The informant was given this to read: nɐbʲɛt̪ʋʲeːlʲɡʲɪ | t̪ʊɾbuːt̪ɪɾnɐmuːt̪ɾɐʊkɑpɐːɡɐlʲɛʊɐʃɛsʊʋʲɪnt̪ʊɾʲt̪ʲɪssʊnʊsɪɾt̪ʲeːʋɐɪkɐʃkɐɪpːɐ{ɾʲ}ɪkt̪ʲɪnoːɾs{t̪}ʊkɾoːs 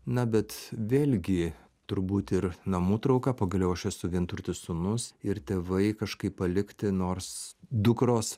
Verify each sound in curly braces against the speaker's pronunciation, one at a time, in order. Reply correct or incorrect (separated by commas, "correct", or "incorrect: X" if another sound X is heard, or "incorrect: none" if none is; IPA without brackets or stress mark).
incorrect: lʲ, incorrect: d̪